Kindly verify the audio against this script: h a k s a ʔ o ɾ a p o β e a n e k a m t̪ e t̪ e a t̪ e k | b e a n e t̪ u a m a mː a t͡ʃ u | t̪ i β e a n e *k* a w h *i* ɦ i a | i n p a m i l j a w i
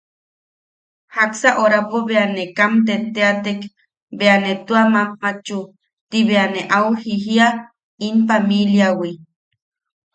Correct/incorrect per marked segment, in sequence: incorrect, correct

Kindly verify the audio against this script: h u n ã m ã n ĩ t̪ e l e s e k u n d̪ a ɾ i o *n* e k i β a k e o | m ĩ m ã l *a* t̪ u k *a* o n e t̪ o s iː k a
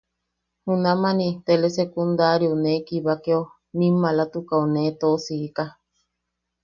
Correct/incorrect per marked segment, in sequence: correct, correct, correct

